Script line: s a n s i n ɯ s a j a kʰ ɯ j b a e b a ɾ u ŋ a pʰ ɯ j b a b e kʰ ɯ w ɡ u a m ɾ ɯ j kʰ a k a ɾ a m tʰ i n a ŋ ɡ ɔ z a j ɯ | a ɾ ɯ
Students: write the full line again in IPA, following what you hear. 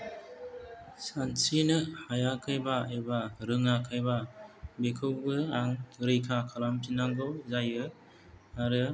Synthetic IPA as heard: s a n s i n ɯ h a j a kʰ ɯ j b a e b a ɾ ɯ ŋ a kʰ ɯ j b a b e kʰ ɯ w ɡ ɯ a ŋ ɾ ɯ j kʰ a kʰ a l a m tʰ i n a ŋ ɡ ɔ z a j ɯ | a ɾ ɯ